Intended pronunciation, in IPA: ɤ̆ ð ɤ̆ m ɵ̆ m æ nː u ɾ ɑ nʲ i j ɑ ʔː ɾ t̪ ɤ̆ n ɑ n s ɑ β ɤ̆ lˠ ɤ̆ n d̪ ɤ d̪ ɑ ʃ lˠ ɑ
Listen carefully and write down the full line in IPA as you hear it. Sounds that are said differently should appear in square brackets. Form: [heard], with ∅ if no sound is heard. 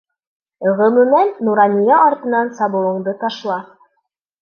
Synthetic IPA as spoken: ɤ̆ [ʁ] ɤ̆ m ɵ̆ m æ nː u ɾ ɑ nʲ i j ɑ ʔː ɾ t̪ ɤ̆ n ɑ n s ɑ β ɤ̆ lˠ ɤ̆ [ɴ] d̪ ɤ [t̪] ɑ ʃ lˠ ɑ